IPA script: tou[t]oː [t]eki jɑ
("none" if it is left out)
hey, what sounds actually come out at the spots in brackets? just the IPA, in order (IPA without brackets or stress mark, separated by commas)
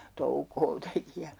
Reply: k, t